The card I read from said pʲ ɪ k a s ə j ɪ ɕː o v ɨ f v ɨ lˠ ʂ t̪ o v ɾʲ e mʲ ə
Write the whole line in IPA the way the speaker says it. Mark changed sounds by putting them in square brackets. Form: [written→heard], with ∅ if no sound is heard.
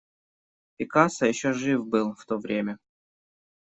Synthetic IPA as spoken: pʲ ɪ k a s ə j ɪ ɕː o [v→ʐ] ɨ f [v→b] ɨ lˠ [ʂ→f] t̪ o v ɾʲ e mʲ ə